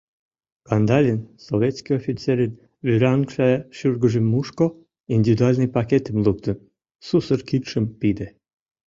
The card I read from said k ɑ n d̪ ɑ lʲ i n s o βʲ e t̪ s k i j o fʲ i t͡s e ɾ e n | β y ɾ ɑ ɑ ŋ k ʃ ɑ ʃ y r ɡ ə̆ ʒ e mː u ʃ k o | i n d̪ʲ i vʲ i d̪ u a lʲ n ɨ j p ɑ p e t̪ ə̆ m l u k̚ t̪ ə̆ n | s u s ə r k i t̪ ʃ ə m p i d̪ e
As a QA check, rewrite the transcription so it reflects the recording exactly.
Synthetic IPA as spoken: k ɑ n d̪ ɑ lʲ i n s o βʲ e t̪ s k i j o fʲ i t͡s e ɾ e n | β y ɾ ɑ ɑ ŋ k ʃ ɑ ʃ y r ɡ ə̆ ʒ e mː u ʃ k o | i n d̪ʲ i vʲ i d̪ u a lʲ n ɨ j p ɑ k e t̪ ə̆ m l u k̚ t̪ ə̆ n | s u s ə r k i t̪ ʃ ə m p i d̪ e